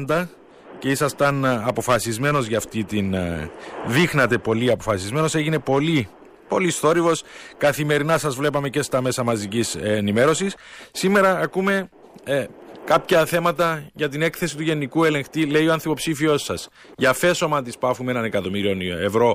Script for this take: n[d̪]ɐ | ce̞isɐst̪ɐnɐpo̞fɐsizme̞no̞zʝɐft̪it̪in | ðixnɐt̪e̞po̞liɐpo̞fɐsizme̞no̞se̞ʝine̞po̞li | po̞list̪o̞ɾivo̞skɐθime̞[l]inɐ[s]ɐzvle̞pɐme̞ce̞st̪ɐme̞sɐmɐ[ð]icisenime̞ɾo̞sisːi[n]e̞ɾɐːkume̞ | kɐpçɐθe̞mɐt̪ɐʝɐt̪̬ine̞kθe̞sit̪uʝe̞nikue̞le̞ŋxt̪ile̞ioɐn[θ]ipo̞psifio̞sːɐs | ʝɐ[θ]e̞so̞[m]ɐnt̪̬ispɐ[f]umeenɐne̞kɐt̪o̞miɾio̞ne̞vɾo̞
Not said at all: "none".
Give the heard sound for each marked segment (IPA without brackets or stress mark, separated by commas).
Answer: d̪, ɾ, s, z, m, θ, f, m, f